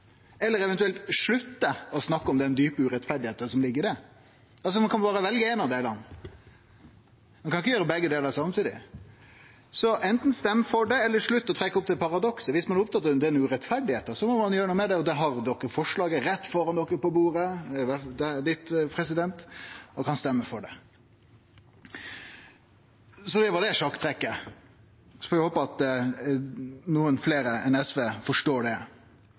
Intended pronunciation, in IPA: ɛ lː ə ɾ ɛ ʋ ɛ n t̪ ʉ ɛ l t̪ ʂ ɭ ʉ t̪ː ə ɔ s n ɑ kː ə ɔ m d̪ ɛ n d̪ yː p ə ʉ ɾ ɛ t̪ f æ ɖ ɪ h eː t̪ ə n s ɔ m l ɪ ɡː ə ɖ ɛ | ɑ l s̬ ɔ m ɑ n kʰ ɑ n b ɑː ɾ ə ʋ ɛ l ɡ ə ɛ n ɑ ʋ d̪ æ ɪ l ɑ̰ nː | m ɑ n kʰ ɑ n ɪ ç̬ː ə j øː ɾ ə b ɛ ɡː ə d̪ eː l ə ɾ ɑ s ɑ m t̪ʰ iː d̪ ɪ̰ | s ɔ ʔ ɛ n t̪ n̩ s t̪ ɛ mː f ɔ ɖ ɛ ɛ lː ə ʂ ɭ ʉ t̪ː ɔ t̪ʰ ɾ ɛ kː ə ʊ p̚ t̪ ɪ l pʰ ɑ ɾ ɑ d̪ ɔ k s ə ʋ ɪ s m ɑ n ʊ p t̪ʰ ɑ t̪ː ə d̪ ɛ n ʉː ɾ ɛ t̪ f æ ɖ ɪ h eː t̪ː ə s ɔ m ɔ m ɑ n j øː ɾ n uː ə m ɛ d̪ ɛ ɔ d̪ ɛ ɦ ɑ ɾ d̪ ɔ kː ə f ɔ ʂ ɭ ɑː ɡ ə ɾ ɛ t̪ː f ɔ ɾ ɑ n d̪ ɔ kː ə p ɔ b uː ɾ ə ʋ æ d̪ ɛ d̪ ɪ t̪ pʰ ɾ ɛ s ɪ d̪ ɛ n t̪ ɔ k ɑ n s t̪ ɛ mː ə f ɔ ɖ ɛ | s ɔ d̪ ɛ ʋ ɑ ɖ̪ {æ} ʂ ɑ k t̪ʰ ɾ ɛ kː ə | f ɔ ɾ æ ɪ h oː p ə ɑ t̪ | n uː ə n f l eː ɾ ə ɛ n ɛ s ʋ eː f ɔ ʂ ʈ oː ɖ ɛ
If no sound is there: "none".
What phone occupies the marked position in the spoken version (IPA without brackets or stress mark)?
ɛ